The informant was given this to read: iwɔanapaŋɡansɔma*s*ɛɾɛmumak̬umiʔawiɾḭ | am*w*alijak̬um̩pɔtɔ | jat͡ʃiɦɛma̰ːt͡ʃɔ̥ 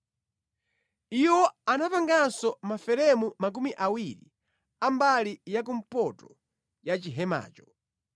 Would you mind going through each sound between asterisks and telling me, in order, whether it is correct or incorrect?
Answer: incorrect, incorrect

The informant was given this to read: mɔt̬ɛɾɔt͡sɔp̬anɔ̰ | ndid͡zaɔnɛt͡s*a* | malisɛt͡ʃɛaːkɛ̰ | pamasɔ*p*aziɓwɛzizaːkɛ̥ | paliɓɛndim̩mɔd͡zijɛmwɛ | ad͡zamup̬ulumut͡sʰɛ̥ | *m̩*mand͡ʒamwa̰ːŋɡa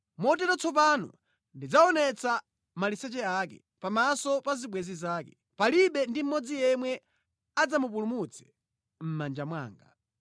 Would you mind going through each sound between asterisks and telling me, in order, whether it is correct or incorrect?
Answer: correct, correct, correct

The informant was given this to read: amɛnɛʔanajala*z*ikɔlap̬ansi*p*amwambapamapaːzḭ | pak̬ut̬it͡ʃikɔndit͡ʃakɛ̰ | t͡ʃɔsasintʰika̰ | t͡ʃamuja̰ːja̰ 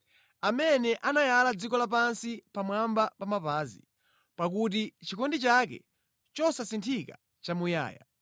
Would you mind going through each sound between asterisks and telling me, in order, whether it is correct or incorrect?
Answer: incorrect, correct

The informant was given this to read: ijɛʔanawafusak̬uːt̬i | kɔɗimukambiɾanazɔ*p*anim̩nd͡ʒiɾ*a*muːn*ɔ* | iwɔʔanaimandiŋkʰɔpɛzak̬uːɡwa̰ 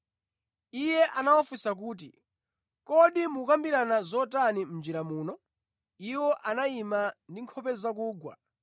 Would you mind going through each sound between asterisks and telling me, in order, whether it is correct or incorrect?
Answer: incorrect, correct, correct

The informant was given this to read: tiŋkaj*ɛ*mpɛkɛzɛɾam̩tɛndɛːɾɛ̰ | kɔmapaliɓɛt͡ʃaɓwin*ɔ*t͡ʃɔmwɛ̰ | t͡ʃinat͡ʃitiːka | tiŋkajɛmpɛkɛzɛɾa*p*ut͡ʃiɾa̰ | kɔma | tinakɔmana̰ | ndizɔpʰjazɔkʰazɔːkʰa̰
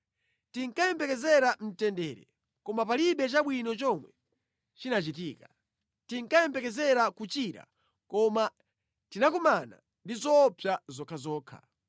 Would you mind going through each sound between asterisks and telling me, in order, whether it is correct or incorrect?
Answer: correct, correct, incorrect

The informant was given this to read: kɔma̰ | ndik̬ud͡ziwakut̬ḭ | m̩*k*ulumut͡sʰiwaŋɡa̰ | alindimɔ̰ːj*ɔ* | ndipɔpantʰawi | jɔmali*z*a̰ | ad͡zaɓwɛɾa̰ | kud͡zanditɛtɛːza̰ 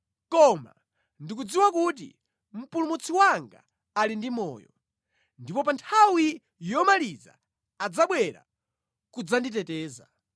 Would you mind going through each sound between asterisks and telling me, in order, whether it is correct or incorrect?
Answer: incorrect, correct, correct

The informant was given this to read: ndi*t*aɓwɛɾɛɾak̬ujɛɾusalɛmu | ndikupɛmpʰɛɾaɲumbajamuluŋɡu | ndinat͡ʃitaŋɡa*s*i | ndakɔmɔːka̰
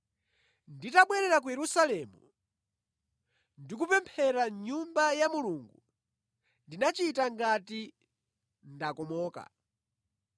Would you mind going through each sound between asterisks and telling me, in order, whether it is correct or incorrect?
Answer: correct, incorrect

